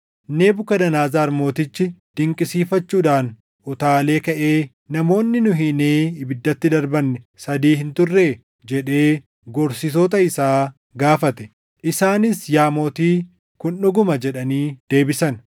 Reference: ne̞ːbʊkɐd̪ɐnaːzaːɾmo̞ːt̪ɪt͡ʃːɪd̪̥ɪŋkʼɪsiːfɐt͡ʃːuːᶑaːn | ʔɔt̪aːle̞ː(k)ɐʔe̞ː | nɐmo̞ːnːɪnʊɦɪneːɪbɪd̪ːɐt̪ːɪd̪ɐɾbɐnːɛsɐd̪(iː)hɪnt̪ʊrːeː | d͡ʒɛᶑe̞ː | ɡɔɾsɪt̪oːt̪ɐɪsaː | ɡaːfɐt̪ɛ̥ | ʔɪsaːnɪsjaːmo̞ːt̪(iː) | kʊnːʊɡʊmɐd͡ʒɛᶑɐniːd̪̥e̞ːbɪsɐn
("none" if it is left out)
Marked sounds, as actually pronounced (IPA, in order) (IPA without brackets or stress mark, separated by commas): k, iː, iː